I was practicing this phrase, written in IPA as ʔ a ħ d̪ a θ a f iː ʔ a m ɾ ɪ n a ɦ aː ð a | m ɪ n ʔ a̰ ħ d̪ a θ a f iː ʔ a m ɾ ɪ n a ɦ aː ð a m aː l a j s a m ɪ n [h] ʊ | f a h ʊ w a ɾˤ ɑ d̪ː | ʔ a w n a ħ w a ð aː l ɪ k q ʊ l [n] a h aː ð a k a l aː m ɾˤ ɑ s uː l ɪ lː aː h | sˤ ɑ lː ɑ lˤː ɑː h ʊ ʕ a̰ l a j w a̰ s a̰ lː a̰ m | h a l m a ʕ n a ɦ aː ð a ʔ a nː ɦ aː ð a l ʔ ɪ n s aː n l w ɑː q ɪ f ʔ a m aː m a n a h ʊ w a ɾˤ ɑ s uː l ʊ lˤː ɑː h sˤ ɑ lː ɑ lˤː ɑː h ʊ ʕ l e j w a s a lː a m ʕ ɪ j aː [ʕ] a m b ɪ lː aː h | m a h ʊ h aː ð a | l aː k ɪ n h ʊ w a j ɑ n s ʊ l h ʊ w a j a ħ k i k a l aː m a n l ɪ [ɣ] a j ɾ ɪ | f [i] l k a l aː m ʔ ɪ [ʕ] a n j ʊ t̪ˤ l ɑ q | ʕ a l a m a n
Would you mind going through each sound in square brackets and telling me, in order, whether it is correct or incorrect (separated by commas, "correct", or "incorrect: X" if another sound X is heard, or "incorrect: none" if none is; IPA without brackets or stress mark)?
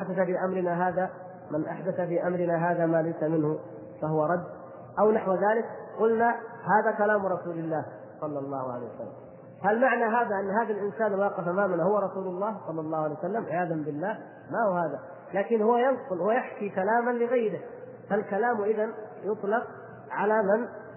correct, correct, incorrect: ð, correct, incorrect: a, incorrect: ð